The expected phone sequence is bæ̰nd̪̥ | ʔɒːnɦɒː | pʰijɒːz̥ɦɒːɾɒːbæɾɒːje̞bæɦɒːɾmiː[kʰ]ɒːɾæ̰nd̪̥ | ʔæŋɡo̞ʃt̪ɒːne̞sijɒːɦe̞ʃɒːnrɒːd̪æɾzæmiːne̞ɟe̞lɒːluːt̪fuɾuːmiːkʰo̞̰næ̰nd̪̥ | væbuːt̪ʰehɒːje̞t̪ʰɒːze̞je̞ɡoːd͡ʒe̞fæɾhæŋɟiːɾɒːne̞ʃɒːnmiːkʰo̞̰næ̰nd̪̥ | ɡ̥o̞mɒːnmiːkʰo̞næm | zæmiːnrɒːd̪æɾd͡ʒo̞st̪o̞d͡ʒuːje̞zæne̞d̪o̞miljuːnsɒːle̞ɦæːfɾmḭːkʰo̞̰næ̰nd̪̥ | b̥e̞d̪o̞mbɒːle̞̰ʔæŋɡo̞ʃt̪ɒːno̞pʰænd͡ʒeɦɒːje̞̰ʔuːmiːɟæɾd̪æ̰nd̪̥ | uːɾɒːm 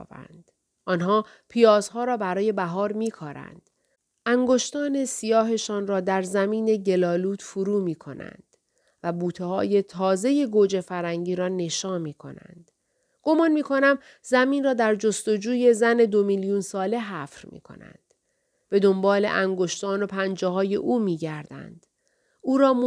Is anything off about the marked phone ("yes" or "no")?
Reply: no